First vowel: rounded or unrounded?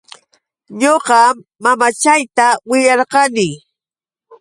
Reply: rounded